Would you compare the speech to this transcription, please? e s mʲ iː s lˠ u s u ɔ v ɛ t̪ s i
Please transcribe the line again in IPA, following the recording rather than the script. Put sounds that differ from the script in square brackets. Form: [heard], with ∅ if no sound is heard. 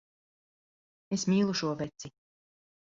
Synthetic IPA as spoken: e s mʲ iː [∅] lˠ u [ʃ] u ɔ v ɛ t̪ s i